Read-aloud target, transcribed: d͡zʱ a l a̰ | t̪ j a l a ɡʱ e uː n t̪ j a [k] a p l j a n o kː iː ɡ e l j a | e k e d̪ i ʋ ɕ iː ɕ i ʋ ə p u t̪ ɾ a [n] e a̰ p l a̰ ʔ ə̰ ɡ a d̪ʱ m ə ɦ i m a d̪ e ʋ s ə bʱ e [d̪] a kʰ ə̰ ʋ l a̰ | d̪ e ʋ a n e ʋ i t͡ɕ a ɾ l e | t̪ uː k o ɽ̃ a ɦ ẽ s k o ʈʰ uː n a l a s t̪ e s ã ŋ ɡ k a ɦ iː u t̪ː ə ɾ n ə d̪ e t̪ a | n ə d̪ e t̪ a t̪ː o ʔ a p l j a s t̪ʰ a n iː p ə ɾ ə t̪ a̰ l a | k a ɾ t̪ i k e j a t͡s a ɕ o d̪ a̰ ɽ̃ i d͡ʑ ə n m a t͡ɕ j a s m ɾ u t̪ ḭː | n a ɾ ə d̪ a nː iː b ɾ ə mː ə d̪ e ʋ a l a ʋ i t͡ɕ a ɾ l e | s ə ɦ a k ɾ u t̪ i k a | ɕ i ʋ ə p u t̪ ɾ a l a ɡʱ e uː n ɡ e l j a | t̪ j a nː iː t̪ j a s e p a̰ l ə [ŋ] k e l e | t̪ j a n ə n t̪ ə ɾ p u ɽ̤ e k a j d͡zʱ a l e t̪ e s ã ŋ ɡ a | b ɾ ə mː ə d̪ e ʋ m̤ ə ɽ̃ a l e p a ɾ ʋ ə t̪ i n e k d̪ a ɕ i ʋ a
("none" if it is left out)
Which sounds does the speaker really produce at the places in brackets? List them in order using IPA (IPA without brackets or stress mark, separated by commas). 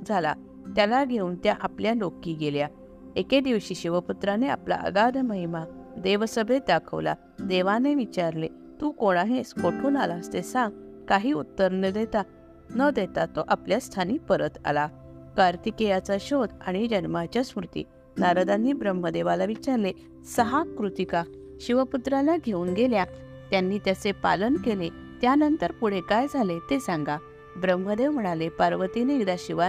ʔ, n, d̪, n